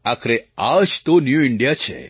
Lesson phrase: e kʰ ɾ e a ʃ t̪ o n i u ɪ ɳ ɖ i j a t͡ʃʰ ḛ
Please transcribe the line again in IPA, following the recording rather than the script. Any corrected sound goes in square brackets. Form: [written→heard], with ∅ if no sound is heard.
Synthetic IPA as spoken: [e→a] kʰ ɾ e a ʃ t̪ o n [i→j] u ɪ ɳ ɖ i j a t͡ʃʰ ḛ

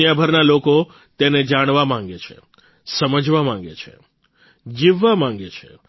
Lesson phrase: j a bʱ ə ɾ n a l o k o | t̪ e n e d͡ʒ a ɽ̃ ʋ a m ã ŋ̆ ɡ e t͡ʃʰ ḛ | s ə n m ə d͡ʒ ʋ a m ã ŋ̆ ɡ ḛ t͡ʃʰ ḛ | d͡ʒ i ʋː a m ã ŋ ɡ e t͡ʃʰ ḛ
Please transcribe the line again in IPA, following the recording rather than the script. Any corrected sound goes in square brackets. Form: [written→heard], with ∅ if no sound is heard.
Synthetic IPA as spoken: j a bʱ ə ɾ n a l o k o | t̪ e n e d͡ʒ a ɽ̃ ʋ a m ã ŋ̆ ɡ e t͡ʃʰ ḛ | s ə [n→∅] m ə d͡ʒ ʋ a m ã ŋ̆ ɡ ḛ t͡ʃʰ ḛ | d͡ʒ i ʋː a m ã ŋ ɡ e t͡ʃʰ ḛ

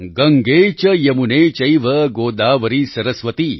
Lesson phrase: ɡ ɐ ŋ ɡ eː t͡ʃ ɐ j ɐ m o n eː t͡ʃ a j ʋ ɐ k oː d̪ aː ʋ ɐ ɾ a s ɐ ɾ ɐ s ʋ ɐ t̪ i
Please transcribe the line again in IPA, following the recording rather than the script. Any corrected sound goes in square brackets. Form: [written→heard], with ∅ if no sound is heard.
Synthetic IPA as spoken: ɡ ɐ ŋ ɡ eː t͡ʃ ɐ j ɐ m [o→u] n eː t͡ʃ [a→ɐ] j ʋ ɐ [k→ɡ] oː d̪ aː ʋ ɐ ɾ [a→i] s ɐ ɾ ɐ s ʋ ɐ t̪ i

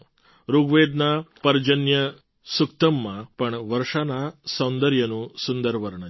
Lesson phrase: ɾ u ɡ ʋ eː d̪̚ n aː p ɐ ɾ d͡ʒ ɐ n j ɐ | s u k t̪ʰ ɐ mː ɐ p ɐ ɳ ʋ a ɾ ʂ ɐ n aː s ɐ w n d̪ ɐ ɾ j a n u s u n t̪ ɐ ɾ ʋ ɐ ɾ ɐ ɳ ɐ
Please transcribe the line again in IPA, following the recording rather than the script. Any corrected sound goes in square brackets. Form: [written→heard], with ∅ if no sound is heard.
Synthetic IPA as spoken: ɾ u ɡ ʋ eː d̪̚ n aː p ɐ ɾ d͡ʒ ɐ n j ɐ | s u k [t̪ʰ→t̪] ɐ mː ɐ p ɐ ɳ ʋ [a→ɐ] ɾ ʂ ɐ n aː s ɐ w n d̪ ɐ ɾ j [a→ɐ] n u s u n [t̪→d̪] ɐ ɾ ʋ ɐ ɾ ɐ ɳ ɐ

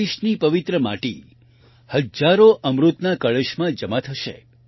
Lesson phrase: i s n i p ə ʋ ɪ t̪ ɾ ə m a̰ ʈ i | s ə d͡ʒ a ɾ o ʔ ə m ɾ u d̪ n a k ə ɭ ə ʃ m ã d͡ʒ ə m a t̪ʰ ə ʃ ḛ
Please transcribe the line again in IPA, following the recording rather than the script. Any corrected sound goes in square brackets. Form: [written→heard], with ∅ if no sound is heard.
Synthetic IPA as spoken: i [s→ʃ] n i p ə ʋ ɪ t̪ ɾ ə m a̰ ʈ i | [s→h] ə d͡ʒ a ɾ o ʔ ə m ɾ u [d̪→t̪] n a k ə ɭ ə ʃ m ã d͡ʒ ə m a t̪ʰ ə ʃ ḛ

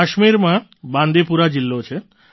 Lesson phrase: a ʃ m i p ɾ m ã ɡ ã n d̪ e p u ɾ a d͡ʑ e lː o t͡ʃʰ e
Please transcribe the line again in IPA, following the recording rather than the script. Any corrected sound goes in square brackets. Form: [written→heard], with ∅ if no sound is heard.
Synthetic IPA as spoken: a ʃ m i [p→∅] ɾ m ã [ɡ→b] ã n d̪ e p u ɾ a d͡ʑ [e→i] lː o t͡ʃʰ e

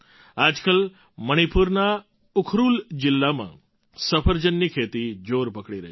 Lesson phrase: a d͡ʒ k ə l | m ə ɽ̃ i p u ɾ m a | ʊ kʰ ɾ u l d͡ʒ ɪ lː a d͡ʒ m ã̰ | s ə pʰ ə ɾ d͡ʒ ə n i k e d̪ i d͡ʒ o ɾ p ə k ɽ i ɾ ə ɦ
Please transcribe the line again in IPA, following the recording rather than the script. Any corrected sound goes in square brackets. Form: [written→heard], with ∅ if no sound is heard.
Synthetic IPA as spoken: a d͡ʒ k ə l | m ə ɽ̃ i p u ɾ [m→n] a | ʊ kʰ ɾ u l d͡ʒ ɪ lː a [d͡ʒ→∅] m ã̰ | s ə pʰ ə ɾ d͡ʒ ə [n→nː] i [k→kʰ] e [d̪→t̪] i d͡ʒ o ɾ p ə k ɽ i ɾ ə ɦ

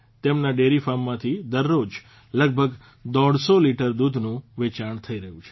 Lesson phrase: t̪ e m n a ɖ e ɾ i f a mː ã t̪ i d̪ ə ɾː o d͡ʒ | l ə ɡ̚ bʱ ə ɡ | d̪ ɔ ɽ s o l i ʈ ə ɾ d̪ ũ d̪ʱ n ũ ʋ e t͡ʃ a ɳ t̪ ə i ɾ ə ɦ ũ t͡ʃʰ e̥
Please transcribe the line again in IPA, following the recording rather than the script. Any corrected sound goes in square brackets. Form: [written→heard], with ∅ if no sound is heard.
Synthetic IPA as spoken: t̪ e m n a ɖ e ɾ i f a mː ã [t̪→t̪ʰ] i d̪ ə ɾː o d͡ʒ | l ə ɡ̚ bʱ ə ɡ | d̪ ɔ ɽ s o l i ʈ ə ɾ d̪ [ũ→u] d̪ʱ n ũ ʋ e t͡ʃ a ɳ [t̪→t̪ʰ] ə i ɾ ə ɦ ũ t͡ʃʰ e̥

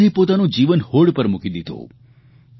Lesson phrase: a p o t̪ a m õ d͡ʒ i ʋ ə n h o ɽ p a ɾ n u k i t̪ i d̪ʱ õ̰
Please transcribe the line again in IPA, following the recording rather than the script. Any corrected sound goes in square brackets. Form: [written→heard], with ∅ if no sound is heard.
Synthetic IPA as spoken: [a→i] p o t̪ a [m→n] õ d͡ʒ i ʋ ə n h o ɽ p [a→ə] ɾ [n→m] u k i [t̪→d̪] i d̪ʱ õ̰

